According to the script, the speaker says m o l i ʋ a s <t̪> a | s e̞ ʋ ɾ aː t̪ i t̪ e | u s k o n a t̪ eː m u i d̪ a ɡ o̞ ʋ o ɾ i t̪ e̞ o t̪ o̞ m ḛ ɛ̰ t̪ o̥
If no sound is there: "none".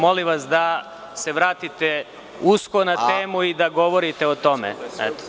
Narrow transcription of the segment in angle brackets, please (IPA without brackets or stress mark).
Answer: d̪